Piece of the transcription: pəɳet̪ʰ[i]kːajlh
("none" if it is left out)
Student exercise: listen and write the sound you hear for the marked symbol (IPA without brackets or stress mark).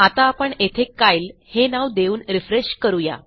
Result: e